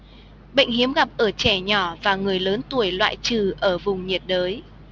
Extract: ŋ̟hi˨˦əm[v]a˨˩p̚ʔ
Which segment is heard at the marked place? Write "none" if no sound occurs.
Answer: ɣ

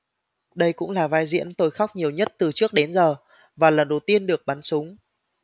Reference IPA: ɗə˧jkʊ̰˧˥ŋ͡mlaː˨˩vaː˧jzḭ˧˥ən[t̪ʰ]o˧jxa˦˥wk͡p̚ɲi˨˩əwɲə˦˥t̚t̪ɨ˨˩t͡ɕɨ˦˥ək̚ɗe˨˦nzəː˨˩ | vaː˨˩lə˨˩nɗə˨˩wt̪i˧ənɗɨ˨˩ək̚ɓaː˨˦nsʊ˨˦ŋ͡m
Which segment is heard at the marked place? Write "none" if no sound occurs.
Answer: t̪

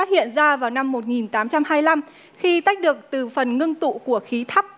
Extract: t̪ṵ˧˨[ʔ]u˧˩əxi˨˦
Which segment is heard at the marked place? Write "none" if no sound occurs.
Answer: k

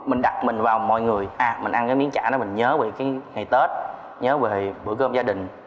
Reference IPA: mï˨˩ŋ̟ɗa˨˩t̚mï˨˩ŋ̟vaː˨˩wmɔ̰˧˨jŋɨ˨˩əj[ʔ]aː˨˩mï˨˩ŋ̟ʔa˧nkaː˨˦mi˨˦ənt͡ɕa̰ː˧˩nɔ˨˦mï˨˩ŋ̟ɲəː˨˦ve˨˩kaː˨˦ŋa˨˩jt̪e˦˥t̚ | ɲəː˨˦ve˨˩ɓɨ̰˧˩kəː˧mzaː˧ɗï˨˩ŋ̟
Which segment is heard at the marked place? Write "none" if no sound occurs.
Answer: ʔ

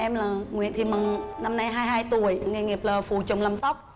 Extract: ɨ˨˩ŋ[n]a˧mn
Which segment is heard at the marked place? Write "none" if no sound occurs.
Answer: n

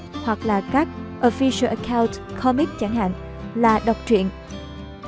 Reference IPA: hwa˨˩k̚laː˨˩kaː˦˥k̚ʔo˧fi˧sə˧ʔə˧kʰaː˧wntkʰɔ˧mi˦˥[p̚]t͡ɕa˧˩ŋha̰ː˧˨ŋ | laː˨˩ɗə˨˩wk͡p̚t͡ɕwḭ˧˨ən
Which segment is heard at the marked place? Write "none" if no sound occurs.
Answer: k̚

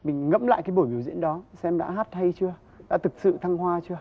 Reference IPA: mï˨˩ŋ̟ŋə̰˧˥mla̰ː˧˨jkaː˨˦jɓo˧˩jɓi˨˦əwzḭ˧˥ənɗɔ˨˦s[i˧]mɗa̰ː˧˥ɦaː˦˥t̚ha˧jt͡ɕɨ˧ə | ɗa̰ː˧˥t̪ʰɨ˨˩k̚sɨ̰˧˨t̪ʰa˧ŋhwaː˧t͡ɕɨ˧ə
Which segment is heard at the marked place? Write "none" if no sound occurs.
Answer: ɛ˧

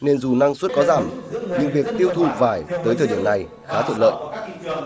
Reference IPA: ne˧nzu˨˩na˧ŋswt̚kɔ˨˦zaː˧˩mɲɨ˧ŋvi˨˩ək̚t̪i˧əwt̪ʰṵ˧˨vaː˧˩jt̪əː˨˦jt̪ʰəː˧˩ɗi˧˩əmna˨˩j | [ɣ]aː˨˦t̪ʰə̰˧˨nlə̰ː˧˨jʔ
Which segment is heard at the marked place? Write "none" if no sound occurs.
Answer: x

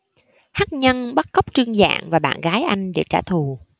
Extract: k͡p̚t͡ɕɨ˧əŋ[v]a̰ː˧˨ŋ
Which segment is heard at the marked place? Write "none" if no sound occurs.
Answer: z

